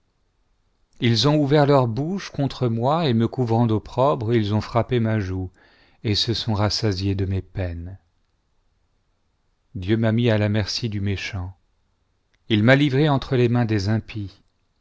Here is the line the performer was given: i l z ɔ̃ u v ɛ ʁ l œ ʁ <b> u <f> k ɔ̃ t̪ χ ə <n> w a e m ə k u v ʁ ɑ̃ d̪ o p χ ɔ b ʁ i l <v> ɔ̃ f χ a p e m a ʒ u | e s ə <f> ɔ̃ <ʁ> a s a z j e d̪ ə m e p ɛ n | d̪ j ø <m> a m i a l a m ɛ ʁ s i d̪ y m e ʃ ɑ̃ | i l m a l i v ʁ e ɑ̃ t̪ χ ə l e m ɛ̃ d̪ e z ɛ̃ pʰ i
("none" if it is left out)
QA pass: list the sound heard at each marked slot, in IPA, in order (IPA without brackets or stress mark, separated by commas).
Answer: b, ʃ, m, z, s, ʁ, m